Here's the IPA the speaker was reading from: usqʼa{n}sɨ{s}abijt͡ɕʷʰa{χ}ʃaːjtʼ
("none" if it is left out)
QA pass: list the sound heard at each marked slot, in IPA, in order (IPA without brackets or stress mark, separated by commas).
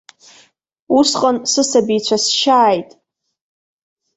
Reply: n, s, s